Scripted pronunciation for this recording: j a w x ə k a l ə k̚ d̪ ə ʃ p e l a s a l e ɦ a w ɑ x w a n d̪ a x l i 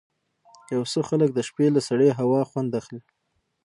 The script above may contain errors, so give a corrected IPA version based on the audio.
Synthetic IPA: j a w s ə x a l ə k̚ d̪ ə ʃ p e l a s a ɽ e ɦ a w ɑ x w a n d̪ a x l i